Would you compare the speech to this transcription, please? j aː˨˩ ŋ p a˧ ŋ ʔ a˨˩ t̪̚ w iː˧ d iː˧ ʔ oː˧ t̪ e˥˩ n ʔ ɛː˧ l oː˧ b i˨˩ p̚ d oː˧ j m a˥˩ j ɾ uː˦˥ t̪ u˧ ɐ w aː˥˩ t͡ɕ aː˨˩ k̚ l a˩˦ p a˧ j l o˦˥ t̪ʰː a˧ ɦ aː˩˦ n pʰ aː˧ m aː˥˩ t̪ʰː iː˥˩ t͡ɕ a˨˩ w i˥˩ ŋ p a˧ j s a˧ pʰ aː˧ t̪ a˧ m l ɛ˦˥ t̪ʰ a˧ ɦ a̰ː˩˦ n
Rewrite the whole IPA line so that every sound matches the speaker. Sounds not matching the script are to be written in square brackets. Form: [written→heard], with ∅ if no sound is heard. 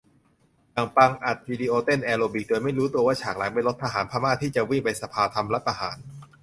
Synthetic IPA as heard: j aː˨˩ ŋ p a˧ ŋ ʔ a˨˩ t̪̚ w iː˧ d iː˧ ʔ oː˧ t̪ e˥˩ n ʔ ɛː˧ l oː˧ b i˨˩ [p̚→k̚] d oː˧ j m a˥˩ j ɾ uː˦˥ t̪ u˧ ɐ w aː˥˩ [t͡ɕ→t͡ɕʰ] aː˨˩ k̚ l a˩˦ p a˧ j l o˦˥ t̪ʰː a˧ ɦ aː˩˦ n pʰ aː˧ m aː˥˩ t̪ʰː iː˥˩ t͡ɕ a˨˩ w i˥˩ ŋ p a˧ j s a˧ pʰ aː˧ [t̪→t̪ʰ] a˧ m l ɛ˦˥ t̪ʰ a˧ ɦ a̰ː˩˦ n